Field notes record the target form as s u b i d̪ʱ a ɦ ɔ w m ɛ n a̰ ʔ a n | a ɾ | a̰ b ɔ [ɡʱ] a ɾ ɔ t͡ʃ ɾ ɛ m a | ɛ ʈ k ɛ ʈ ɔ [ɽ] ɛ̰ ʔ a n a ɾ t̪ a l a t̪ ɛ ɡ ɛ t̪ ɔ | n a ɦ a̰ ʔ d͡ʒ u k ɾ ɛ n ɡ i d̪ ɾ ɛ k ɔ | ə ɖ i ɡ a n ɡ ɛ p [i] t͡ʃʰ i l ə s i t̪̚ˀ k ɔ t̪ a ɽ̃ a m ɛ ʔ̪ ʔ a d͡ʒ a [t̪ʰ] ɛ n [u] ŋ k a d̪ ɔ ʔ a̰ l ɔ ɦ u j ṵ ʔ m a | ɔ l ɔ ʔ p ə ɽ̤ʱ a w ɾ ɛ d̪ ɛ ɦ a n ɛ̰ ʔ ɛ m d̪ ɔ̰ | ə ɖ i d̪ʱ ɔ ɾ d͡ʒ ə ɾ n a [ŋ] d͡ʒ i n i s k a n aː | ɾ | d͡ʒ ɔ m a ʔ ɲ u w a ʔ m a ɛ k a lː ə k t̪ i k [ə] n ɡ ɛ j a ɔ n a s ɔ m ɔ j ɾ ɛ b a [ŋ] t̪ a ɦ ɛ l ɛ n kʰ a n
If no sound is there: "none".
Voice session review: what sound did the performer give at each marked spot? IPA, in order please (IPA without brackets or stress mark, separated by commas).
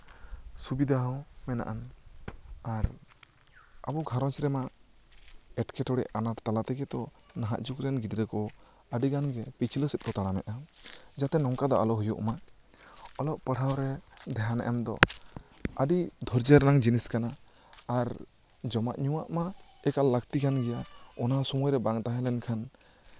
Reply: ɡʱ, ɽ, i, t̪, ɔ, ŋ, a, ŋ